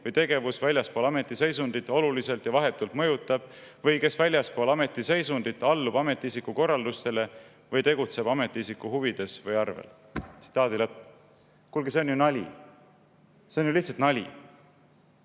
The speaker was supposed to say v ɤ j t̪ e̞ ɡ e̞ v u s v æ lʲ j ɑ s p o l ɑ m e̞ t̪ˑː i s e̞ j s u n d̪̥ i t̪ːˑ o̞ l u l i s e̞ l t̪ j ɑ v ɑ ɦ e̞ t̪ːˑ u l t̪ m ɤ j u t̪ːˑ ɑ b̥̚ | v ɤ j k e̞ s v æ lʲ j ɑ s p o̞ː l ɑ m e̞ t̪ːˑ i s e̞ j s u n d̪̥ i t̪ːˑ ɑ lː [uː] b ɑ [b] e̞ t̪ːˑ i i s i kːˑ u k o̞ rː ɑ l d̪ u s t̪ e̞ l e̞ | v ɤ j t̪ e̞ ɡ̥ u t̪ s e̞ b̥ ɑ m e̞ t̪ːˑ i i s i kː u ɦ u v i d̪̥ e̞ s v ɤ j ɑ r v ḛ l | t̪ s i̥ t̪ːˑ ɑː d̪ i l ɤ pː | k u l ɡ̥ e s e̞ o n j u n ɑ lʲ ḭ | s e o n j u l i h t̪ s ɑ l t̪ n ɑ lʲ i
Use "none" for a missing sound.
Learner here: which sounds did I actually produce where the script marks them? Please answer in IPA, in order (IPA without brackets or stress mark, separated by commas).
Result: u, m